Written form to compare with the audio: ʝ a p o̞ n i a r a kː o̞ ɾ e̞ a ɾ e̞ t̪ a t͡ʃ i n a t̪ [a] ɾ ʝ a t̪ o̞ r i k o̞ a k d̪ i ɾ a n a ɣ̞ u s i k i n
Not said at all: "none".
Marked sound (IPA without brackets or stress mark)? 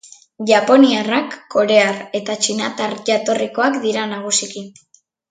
a